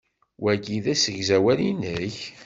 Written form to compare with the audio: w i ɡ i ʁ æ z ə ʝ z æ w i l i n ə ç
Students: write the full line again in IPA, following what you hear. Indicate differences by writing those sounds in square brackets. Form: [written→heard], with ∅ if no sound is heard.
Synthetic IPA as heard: w [i→æ] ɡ i [ʁ→ð] æ [z→s] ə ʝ z æ w [i→æ] l i n ə ç